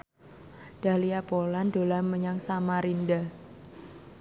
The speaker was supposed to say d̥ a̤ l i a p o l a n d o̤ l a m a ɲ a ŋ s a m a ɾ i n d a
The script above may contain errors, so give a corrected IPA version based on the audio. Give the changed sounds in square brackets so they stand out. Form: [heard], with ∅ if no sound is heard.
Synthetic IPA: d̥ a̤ l i a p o l a n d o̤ l a m [ə] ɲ a ŋ s a m a ɾ i n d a